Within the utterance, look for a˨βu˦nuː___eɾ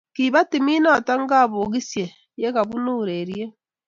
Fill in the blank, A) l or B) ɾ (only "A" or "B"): B